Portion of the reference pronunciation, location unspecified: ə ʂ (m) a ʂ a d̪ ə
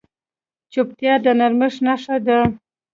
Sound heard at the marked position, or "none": n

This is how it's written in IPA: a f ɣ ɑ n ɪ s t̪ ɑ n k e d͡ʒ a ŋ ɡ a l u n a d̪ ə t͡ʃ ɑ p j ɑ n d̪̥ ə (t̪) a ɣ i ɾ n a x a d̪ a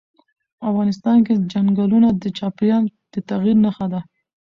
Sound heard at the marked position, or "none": t̪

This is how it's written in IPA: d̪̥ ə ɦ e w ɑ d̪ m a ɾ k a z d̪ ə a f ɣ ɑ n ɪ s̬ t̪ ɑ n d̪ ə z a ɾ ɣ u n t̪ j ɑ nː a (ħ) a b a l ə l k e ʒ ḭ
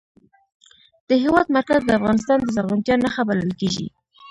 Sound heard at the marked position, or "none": x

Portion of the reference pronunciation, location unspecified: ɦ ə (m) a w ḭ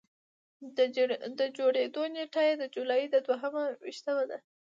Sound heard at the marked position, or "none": m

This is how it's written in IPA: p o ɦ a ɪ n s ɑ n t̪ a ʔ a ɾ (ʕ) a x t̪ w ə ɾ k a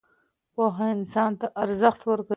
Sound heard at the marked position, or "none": z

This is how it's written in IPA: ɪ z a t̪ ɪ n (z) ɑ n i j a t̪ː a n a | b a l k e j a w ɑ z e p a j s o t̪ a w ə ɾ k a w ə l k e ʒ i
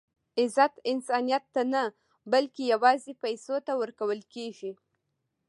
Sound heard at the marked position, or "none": s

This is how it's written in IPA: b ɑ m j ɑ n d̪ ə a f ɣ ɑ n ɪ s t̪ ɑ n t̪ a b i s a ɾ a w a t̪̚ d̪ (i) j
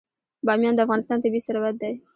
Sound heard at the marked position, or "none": a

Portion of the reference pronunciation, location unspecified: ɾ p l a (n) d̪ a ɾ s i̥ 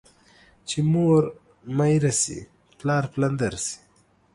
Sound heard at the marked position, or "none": n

